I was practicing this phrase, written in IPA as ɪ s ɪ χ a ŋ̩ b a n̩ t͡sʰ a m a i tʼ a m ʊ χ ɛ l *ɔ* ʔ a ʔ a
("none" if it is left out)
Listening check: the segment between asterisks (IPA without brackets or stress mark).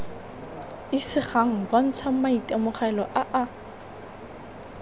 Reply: ɔ